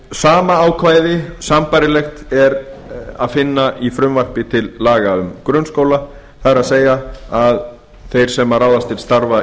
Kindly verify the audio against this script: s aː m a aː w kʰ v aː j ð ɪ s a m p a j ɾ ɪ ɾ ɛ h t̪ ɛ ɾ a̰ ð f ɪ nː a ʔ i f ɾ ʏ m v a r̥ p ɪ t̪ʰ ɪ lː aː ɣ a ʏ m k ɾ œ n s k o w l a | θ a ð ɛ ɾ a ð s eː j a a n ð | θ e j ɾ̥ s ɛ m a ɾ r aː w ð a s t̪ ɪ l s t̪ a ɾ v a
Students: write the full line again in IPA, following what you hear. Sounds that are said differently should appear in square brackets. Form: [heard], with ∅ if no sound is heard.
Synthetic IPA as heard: s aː m a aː w kʰ v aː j ð ɪ s a m p a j ɾ ɪ [l] ɛ [x] t̪ ɛ ɾ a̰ ð f ɪ nː a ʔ i f ɾ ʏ m v a r̥ p ɪ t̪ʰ ɪ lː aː ɣ a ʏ m k ɾ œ n s k o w l a | θ a ð ɛ ɾ a ð s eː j a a [∅] ð | θ e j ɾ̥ s ɛ m a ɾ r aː w ð a s t̪ ɪ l s t̪ a ɾ v a